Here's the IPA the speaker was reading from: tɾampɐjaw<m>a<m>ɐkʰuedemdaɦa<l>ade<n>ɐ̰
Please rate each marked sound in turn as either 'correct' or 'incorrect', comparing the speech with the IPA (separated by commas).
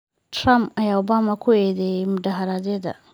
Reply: incorrect, correct, incorrect, incorrect